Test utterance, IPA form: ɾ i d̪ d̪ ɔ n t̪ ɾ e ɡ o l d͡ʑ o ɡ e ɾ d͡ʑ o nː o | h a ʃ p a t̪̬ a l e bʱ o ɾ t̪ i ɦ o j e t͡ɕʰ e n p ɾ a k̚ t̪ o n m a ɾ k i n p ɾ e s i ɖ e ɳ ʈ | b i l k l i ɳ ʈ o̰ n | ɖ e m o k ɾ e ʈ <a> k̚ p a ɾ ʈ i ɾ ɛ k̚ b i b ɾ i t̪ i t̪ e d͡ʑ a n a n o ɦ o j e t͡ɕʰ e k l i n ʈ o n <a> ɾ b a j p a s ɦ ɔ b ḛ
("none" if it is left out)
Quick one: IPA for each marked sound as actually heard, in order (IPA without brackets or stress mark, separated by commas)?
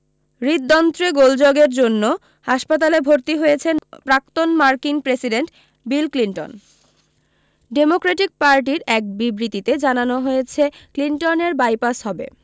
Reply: i, e